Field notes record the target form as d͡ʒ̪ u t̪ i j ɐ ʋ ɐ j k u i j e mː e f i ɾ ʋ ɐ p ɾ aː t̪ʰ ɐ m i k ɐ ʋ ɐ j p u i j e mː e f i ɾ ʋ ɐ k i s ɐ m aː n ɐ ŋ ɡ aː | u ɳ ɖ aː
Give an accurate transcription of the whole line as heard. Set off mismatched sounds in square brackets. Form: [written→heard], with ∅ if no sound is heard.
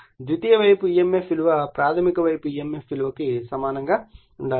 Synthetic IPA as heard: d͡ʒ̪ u t̪ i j ɐ ʋ ɐ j [k→p] u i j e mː e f i [ɾ→l] ʋ ɐ p ɾ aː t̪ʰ ɐ m i k ɐ ʋ ɐ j p u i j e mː e f i [ɾ→l] ʋ ɐ k i s ɐ m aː n ɐ ŋ ɡ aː | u ɳ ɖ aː